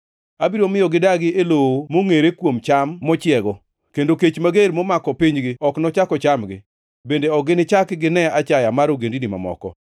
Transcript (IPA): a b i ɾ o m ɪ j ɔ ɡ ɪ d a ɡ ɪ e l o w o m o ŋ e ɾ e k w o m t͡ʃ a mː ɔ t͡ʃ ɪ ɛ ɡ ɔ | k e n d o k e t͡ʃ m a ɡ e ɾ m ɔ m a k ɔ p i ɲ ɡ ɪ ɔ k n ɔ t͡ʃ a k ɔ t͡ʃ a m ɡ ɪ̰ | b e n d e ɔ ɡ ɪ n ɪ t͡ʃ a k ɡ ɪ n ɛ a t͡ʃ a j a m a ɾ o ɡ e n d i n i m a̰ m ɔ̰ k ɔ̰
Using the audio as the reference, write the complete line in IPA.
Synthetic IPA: a b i ɾ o m ɪ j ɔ ɡ ɪ d a ɡ ɪ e l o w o m o ŋ e ɾ e k w o m t͡ʃ a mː ɔ t͡ʃ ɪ ɛ ɡ ɔ | k e n d o k e t͡ʃ m a ɡ e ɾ m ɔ m a k ɔ p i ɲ ɡ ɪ ɔ k n ɔ t͡ʃ a k ɔ t͡ʃ a m ɡ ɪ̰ | b e n d e ɔ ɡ ɪ n ɪ t͡ʃ a k ɡ ɪ n ɛ a t͡ʃ a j a m a ɾ o ɡ e n d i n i m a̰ m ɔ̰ k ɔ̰

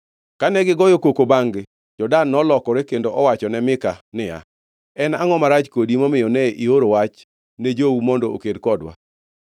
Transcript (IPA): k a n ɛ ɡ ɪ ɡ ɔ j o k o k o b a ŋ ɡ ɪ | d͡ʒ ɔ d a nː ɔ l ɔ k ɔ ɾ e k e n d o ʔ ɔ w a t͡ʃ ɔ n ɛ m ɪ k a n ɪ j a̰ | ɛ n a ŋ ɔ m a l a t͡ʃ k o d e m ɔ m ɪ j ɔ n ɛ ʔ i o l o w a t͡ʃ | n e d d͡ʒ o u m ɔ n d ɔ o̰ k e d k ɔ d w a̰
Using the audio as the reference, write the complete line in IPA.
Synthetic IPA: k a n ɛ ɡ ɪ ɡ ɔ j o k o k o b a ŋ ɡ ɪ | d͡ʒ ɔ d a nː ɔ l ɔ k ɔ ɾ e k e n d o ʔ ɔ w a t͡ʃ ɔ n ɛ m ɪ k a n ɪ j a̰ | ɛ n a ŋ ɔ m a ɾ a t͡ʃ k o d i m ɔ m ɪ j ɔ n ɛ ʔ i o ɾ o w a t͡ʃ | n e d͡ʒ o u m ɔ n d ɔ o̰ k e d k ɔ d w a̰

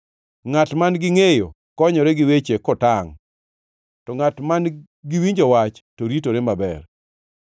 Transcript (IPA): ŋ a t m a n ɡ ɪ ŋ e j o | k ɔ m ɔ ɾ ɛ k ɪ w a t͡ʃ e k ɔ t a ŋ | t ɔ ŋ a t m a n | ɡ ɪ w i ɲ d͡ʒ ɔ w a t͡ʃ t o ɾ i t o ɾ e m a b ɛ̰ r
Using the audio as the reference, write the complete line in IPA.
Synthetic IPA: ŋ a t m a n ɡ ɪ ŋ e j o | k ɔ ɲ ɔ ɾ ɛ ɡ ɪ w e t͡ʃ e k ɔ t a ŋ | t ɔ ŋ a t m a n | ɡ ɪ w i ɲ d͡ʒ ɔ w a t͡ʃ t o ɾ i t o ɾ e m a b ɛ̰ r

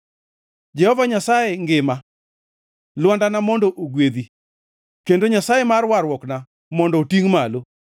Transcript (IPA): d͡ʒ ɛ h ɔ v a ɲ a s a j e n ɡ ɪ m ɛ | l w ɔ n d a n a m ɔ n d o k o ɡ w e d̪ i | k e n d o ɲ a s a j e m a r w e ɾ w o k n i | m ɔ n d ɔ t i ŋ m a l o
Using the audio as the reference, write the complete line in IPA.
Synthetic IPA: d͡ʒ ɛ h ɔ v a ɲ a s a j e ŋ ɡ ɪ m a | l w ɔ n d a n a m ɔ n d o ʔ o ɡ w e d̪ i | k e n d o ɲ a s a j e m a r w a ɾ w ɔ k n a | m ɔ n d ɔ t i ŋ m a l o

